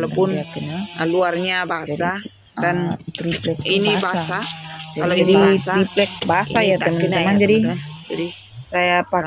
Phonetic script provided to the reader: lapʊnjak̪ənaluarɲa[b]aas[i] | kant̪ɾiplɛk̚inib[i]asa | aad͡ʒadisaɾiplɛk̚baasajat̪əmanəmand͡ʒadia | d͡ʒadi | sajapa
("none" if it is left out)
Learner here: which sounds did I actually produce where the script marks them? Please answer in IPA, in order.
b, a, a

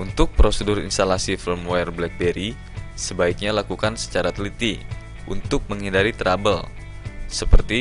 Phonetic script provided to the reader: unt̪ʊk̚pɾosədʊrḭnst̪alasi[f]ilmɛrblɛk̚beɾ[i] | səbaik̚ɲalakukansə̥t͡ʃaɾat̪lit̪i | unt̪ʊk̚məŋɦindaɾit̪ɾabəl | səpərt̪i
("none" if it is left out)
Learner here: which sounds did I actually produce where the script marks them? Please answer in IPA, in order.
f, i

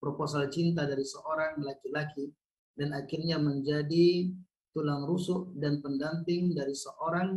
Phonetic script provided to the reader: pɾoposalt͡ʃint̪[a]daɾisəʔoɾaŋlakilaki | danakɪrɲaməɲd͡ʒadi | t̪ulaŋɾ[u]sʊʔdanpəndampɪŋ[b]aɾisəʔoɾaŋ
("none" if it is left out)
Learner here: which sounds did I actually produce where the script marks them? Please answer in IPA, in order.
a, u, d

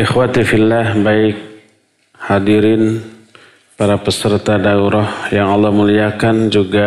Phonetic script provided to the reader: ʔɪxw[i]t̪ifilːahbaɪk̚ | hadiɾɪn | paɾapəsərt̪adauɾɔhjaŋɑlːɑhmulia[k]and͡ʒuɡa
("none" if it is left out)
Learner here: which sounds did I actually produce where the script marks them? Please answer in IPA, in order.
a, k

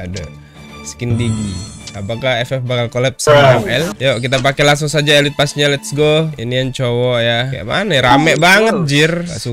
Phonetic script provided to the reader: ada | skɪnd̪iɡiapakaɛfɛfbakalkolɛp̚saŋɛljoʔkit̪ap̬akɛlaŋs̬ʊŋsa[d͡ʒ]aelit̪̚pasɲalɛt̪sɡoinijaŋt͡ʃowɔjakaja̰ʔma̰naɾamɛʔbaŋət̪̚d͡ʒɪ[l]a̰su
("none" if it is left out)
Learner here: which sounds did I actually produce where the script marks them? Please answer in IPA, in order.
d͡ʒ, r

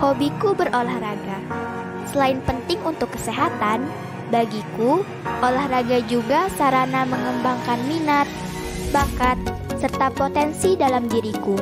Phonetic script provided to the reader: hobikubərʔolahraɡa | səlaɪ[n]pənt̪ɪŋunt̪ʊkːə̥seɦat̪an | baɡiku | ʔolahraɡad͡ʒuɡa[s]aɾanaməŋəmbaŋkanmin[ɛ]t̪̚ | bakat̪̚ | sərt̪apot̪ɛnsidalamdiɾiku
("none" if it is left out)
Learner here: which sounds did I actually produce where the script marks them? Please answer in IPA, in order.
n, s, a

